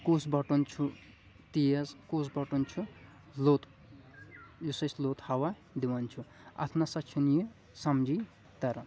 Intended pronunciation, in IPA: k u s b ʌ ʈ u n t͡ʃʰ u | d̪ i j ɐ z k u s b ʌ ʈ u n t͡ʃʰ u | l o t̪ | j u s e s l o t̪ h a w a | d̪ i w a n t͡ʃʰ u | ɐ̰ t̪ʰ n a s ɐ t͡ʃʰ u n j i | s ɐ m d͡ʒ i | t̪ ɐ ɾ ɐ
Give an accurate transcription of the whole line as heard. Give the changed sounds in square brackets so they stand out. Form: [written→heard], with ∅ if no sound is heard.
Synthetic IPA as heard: k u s b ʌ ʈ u n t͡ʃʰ u | [d̪→t̪] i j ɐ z k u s b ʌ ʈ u n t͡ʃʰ u | l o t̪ | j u s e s l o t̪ h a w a | d̪ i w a n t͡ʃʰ u | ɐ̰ t̪ʰ n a s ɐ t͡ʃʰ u n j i | s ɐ m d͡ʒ i | t̪ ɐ ɾ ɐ